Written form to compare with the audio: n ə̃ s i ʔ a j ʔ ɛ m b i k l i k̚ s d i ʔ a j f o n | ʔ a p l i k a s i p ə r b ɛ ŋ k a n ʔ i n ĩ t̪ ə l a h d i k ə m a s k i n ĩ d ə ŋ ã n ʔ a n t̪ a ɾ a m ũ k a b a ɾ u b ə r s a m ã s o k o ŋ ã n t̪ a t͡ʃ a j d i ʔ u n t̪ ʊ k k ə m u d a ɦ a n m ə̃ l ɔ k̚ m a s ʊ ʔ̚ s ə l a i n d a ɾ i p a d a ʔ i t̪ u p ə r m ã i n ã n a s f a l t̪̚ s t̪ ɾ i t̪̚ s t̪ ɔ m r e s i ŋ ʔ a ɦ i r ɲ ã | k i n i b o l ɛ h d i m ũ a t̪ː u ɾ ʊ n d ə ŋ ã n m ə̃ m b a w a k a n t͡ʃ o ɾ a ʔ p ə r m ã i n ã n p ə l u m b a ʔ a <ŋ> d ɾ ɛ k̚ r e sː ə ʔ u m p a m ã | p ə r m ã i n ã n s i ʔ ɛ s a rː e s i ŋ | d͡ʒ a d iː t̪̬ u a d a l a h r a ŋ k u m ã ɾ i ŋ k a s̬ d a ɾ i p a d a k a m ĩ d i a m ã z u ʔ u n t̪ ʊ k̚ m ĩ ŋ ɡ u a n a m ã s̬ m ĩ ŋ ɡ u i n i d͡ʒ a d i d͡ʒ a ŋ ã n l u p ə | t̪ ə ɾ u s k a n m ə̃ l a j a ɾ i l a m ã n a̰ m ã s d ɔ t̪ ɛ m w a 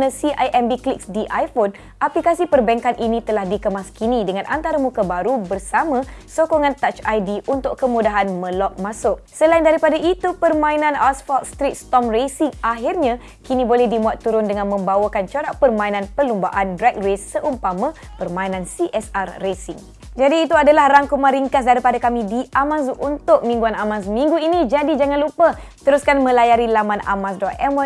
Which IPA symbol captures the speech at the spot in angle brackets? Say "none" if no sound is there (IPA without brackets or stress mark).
n